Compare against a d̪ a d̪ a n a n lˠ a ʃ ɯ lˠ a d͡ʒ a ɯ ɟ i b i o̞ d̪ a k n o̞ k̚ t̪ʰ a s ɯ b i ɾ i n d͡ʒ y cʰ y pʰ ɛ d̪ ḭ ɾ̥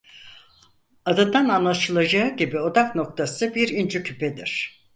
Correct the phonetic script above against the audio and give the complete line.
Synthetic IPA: a d̪ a d̪ a n a n lˠ a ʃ ɯ lˠ a d͡ʒ a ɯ ɟ i b i o̞ d̪ a k n o̞ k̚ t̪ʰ a s ɯ b i ɾ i n d͡ʒ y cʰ y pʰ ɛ d̪ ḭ ɾ̥